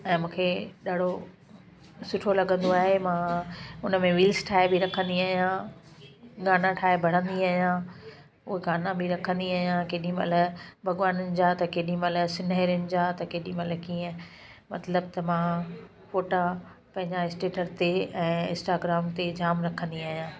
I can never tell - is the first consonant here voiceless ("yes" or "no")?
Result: no